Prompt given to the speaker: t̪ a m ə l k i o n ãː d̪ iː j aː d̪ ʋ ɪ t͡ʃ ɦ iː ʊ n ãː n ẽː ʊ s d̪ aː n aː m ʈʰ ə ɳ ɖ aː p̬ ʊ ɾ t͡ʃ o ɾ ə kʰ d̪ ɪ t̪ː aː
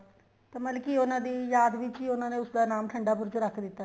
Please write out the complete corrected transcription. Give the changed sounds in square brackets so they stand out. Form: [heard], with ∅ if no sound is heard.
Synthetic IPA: t̪ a m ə l k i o n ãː d̪ iː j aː d̪ ʋ ɪ t͡ʃ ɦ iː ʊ n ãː n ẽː ʊ s d̪ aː n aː m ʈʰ ə ɳ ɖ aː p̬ ʊ ɾ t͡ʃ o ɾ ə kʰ d̪ ɪ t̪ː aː